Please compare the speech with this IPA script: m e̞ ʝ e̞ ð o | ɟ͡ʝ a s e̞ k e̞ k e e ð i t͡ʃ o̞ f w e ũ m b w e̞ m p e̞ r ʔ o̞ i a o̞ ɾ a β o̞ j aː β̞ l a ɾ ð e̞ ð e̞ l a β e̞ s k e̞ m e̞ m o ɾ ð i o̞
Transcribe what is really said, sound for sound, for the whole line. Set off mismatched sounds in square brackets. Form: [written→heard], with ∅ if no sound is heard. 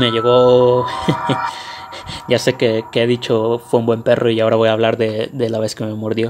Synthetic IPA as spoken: m e̞ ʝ e̞ [ð→ɣ] o | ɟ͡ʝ a s e̞ k e̞ k e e ð i t͡ʃ o̞ f w e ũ m b w e̞ m p e̞ r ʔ o̞ i a o̞ ɾ a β o̞ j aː β̞ l a ɾ ð e̞ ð e̞ l a β e̞ s k e̞ m e̞ m o ɾ ð [i→j] o̞